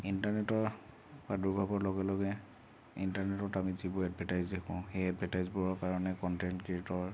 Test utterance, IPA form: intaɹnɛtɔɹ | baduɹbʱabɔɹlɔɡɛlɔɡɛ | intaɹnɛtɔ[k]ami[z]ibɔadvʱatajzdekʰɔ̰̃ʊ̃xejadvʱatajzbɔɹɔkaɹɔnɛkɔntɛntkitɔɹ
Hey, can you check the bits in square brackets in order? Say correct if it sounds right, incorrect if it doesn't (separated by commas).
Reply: incorrect, correct